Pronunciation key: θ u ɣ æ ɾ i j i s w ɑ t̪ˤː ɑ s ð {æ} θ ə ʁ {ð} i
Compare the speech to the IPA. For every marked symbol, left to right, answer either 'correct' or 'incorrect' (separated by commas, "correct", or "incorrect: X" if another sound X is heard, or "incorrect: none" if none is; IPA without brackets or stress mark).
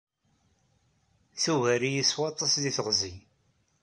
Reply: incorrect: i, incorrect: z